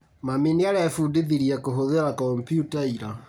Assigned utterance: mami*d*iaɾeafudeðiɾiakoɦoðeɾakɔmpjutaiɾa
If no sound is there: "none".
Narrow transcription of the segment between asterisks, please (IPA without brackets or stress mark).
n